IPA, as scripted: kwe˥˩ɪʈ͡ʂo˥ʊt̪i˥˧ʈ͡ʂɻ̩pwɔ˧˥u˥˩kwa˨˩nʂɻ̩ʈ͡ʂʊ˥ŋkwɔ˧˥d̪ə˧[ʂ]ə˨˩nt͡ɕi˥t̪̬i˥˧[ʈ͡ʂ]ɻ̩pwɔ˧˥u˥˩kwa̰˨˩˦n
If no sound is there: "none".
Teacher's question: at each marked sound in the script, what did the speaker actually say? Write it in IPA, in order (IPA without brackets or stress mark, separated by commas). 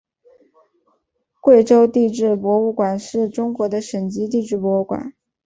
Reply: ʂ, ʈ͡ʂ